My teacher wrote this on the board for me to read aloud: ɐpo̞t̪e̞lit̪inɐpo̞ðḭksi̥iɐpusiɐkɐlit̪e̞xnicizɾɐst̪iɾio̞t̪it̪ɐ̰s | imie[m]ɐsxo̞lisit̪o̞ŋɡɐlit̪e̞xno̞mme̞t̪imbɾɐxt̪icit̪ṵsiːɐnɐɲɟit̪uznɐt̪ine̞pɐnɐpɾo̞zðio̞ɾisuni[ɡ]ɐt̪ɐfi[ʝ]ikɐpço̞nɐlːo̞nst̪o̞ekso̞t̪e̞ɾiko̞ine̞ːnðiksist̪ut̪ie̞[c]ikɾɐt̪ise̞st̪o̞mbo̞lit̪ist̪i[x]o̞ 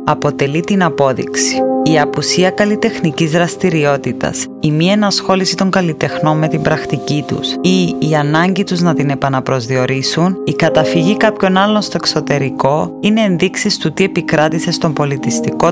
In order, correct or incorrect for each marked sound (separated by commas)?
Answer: incorrect, incorrect, correct, incorrect, incorrect